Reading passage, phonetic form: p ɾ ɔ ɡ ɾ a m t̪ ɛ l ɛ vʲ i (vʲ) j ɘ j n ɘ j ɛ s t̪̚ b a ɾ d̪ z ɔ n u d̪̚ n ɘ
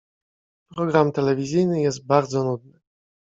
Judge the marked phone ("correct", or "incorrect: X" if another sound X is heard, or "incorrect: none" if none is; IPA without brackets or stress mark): incorrect: zʲ